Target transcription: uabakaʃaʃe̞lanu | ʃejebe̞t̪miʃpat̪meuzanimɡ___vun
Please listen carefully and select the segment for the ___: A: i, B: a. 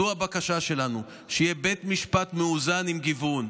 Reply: A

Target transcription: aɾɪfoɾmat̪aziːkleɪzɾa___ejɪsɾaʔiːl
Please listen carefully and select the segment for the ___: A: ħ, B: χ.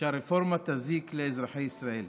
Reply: A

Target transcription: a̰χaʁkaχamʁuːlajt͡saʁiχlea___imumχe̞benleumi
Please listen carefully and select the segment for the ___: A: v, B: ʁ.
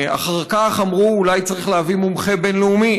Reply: A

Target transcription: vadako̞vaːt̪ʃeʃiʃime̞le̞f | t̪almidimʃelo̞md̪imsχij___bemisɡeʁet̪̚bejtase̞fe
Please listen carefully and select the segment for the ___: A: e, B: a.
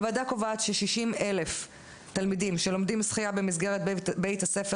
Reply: B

